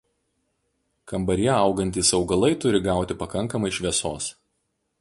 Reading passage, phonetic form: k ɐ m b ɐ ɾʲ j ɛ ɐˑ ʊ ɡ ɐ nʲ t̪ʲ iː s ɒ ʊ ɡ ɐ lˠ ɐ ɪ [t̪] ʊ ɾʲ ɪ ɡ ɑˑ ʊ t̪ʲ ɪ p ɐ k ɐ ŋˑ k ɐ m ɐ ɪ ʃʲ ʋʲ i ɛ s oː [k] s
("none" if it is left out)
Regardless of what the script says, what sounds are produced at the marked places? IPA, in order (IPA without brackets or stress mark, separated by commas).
t̪, none